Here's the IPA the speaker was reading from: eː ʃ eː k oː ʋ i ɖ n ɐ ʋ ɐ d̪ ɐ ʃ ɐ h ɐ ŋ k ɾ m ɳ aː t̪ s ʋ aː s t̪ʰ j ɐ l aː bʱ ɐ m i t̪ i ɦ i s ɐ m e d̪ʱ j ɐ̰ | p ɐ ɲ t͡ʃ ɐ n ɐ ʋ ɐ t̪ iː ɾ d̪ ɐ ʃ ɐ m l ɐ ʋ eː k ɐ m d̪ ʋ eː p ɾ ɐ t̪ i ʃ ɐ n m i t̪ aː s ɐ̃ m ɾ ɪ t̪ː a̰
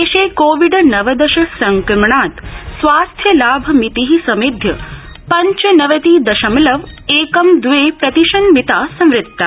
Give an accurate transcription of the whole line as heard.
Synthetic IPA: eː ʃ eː k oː ʋ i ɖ n ɐ ʋ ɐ d̪ ɐ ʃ ɐ s ɐ ŋ k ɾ m ɳ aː t̪ s ʋ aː s t̪ʰ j ɐ l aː bʱ ɐ m i t̪ i ɦ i s ɐ m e d̪ʱ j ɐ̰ | p ɐ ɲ t͡ʃ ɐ n ɐ ʋ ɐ t̪ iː d̪ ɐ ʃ ɐ m l ɐ ʋ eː k ɐ m d̪ ʋ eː p ɾ ɐ t̪ i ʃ ɐ n m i t̪ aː s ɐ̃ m ɾ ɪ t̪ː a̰